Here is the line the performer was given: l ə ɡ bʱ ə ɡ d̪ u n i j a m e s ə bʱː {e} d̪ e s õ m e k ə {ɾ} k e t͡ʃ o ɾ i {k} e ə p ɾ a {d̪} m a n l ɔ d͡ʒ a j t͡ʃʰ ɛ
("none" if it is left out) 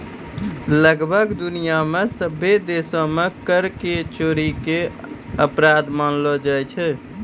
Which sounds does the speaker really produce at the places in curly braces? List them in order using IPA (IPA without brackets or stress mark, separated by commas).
e, ɾ, k, d̪